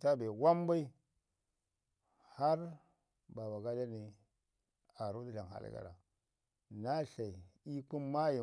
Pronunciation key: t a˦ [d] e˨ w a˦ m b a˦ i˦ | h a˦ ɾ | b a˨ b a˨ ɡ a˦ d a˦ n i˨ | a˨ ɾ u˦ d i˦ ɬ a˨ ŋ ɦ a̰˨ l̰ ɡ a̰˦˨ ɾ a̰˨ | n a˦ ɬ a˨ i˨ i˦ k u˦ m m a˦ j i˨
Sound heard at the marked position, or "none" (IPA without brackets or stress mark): b